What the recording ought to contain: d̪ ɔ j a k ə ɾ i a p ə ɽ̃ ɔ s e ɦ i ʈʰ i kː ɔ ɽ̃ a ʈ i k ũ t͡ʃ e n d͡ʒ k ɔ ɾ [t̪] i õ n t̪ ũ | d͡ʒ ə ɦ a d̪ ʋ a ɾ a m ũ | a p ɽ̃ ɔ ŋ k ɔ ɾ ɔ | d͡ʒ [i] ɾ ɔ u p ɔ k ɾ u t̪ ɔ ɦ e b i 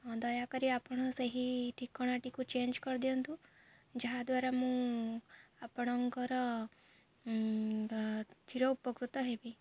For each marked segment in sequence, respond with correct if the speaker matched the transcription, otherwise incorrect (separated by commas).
incorrect, correct